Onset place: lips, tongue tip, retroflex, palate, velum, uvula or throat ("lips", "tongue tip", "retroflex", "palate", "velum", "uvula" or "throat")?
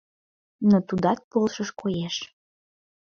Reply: tongue tip